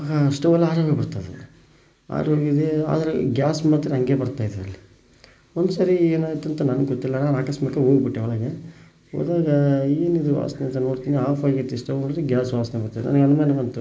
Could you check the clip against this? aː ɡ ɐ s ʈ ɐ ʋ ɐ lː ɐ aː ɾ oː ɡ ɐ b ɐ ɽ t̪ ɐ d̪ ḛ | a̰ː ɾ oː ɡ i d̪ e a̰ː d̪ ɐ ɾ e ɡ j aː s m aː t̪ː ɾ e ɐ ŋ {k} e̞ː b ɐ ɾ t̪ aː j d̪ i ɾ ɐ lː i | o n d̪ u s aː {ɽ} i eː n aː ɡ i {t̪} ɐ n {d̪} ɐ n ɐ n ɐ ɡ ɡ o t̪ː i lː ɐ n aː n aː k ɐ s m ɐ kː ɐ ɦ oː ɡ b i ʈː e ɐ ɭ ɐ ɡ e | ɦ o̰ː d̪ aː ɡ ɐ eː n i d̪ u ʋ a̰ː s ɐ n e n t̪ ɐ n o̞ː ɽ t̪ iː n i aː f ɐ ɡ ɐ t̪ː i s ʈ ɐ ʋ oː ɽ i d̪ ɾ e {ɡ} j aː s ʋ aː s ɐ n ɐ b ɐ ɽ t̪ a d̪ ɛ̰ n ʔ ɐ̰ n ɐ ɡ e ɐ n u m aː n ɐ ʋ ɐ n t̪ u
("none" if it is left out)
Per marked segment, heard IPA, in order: ɡ, ɾ, t̪, t̪, ɡ

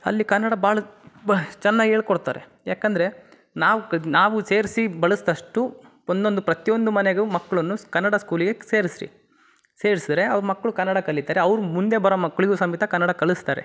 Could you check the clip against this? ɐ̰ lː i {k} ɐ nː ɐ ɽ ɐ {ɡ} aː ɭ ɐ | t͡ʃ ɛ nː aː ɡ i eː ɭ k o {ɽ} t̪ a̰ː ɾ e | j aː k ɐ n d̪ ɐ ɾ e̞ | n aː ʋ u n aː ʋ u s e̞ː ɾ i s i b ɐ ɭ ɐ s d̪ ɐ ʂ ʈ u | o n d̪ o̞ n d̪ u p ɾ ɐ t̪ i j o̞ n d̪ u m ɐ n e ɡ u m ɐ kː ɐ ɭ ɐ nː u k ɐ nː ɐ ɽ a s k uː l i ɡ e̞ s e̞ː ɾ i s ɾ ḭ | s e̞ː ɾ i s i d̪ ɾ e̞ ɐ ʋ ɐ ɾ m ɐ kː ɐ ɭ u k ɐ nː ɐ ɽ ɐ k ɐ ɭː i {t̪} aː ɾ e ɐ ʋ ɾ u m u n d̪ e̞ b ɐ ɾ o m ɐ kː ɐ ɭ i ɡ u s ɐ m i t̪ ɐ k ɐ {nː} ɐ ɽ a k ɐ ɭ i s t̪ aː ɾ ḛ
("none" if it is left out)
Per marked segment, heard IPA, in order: k, b, ɽ, t̪, nː

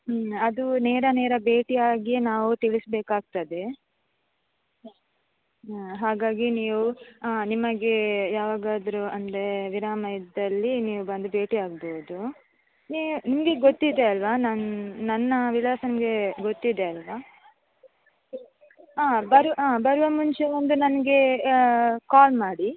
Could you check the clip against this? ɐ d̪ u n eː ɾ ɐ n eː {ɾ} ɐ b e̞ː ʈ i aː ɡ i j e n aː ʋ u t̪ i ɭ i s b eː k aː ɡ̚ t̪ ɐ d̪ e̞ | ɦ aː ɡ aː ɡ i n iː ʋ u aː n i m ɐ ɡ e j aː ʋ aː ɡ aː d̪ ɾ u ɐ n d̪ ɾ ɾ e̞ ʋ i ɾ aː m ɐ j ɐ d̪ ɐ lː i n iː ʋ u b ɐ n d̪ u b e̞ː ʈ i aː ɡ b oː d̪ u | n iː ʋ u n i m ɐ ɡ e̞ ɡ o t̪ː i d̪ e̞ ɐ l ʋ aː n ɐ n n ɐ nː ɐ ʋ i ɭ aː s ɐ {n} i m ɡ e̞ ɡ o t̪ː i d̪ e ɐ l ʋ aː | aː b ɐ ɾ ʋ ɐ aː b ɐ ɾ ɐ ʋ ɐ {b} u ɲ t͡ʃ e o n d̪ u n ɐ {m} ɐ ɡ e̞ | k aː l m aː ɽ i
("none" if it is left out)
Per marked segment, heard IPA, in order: ɾ, n, m, n

